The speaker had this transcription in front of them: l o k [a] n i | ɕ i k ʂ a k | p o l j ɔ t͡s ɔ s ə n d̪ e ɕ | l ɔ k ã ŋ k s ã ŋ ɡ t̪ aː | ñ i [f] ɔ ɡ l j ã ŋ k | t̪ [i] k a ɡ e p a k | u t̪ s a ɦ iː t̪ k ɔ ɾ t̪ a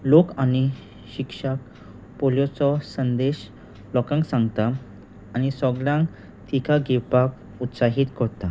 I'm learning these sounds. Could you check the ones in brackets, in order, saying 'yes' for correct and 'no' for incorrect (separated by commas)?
yes, no, yes